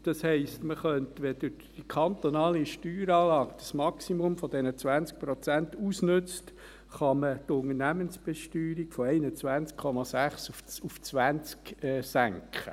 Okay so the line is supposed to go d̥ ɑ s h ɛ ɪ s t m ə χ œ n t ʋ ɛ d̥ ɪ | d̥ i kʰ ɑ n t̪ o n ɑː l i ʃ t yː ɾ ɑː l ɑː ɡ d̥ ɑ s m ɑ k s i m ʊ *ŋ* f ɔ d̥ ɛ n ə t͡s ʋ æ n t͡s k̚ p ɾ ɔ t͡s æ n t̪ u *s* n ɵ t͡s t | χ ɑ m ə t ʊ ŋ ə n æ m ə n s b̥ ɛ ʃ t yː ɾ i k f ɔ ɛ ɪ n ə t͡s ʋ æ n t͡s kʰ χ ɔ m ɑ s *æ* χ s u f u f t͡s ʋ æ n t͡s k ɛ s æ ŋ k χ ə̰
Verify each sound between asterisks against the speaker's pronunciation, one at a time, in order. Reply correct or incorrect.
incorrect, correct, correct

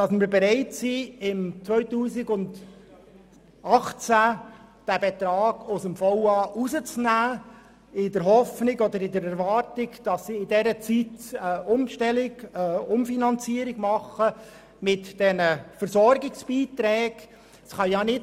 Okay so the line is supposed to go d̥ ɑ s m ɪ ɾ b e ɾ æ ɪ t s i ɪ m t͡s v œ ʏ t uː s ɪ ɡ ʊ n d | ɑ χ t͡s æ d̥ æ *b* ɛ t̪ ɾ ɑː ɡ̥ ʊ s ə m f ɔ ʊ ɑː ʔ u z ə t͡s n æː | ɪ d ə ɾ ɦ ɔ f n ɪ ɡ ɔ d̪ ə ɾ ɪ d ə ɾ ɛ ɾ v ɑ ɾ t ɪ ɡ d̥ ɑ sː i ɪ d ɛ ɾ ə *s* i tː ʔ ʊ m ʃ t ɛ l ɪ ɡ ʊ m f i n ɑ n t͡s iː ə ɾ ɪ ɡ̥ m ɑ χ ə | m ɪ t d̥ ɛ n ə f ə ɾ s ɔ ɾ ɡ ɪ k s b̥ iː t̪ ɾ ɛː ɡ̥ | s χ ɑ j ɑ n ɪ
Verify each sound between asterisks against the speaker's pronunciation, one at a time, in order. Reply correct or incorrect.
correct, incorrect

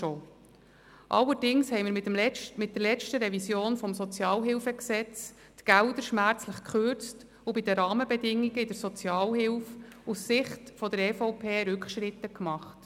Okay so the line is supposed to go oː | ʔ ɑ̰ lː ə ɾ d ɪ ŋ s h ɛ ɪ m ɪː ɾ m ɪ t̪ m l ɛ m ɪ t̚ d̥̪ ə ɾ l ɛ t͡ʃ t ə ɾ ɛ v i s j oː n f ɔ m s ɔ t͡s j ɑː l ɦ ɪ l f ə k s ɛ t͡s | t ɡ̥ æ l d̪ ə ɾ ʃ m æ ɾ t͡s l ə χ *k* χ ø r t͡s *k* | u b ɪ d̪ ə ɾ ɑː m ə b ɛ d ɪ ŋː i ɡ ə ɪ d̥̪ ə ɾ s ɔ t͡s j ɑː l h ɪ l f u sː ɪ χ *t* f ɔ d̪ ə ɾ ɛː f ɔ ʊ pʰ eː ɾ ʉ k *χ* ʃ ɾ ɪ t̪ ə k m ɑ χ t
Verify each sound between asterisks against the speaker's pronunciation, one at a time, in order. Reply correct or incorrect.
correct, incorrect, correct, correct

